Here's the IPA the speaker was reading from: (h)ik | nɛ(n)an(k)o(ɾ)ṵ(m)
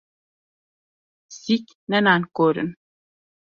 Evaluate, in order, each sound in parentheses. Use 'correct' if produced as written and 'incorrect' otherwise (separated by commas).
incorrect, correct, correct, correct, incorrect